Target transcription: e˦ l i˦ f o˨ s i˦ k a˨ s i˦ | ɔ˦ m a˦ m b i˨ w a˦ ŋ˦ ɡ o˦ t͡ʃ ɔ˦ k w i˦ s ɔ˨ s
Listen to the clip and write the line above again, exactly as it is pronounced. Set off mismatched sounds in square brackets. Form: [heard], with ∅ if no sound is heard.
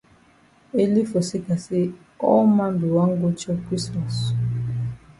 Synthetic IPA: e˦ l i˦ f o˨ s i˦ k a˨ s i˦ | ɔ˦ m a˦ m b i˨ w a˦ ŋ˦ ɡ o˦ t͡ʃ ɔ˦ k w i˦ s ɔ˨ s